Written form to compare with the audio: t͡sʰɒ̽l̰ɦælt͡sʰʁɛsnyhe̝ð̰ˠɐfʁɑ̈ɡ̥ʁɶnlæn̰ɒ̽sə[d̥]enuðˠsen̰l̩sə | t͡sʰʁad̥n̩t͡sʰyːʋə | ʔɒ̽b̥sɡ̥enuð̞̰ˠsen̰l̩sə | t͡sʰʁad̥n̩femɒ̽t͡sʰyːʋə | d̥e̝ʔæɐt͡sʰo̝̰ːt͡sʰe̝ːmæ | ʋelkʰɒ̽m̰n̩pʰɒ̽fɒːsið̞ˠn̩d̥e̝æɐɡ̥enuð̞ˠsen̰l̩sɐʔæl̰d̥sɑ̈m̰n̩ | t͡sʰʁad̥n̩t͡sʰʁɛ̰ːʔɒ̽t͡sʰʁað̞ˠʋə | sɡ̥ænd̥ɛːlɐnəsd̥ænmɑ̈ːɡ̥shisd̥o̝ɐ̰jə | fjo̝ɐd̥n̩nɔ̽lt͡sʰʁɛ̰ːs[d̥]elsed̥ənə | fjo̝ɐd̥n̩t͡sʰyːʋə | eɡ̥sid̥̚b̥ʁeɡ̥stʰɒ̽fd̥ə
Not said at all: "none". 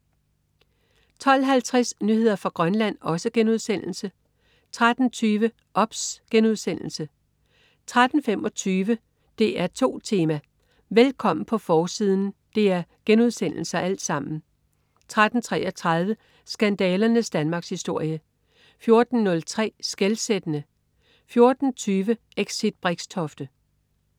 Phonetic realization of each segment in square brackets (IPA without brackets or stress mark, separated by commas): ɡ̥, ɡ̥